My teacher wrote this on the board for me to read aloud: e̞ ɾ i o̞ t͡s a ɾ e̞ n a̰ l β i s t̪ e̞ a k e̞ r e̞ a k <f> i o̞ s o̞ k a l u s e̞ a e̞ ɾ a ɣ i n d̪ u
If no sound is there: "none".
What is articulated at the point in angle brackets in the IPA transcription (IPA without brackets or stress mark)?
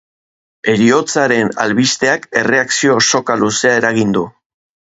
s